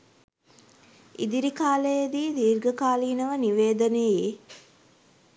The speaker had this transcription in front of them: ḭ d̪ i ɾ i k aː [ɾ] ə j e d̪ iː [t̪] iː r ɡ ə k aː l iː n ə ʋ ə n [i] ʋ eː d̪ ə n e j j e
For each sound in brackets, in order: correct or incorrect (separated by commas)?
incorrect, incorrect, correct